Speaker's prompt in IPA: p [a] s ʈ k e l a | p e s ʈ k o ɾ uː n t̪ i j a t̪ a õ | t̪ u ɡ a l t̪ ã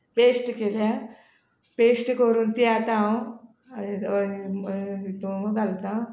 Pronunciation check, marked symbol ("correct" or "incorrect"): incorrect